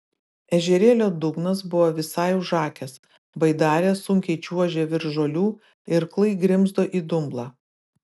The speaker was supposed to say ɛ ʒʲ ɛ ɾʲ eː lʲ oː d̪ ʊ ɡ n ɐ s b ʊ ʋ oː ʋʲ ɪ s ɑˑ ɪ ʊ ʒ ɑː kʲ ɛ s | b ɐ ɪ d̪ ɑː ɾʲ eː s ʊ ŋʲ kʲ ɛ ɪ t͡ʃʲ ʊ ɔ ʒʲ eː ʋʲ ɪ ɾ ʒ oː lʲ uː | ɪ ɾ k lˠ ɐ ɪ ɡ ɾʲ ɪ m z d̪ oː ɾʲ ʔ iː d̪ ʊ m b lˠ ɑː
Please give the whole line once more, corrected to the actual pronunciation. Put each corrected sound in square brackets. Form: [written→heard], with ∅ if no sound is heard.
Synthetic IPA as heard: ɛ ʒʲ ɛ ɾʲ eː lʲ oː d̪ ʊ ɡ n ɐ s b ʊ ʋ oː ʋʲ ɪ s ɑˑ ɪ ʊ ʒ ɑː kʲ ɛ s | b ɐ ɪ d̪ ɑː ɾʲ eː s ʊ ŋʲ kʲ ɛ ɪ t͡ʃʲ [ʊ→u] ɔ ʒʲ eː ʋʲ ɪ ɾ ʒ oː lʲ uː | ɪ ɾ k lˠ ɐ ɪ ɡ ɾʲ ɪ m z d̪ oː [ɾʲ→∅] ʔ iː d̪ ʊ m b lˠ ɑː